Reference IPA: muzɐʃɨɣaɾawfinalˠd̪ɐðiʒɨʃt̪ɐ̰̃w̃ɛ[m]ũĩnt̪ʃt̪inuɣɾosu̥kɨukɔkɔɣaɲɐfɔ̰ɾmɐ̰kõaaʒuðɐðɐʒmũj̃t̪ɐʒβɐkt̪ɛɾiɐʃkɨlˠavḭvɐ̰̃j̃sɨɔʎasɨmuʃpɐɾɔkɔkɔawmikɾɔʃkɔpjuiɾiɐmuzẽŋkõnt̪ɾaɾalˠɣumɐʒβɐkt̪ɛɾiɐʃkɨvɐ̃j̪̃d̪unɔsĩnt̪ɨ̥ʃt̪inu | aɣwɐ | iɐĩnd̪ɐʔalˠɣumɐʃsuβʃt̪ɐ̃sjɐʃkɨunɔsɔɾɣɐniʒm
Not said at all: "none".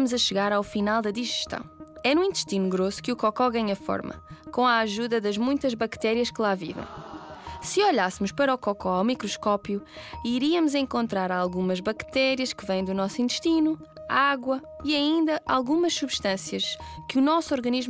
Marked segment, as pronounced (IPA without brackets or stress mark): n